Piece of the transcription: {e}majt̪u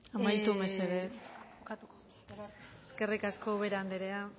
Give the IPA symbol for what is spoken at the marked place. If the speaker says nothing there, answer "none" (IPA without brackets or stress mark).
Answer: a